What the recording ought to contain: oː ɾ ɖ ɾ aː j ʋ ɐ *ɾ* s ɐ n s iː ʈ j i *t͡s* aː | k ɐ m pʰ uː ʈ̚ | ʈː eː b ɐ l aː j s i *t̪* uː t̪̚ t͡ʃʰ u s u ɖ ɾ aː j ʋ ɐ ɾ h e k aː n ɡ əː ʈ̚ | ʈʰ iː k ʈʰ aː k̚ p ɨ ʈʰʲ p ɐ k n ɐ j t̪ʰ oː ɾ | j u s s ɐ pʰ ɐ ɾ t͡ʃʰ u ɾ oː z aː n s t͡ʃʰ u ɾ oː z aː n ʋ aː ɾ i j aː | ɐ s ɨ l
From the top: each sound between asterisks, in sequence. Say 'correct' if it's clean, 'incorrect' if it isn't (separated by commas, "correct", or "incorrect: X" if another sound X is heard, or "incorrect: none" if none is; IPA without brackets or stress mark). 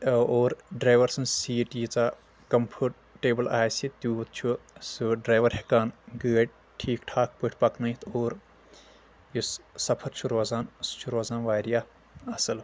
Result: correct, correct, correct